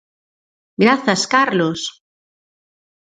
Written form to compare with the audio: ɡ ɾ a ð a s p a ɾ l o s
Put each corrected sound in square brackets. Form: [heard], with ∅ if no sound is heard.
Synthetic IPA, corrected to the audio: ɡ ɾ a [θ] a s [k] a ɾ l o s